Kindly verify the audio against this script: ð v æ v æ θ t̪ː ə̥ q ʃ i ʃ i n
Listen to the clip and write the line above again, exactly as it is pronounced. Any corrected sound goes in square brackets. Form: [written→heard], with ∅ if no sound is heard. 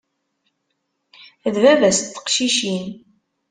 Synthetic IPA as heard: ð v æ v æ [θ→s] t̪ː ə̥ q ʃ i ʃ i n